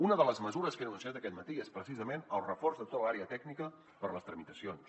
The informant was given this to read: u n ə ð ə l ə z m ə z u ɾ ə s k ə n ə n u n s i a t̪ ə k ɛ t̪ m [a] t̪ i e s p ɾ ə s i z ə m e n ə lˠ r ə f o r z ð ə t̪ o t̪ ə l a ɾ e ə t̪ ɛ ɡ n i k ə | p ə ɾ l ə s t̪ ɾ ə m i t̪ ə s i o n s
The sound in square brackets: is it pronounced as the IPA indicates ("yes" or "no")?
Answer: no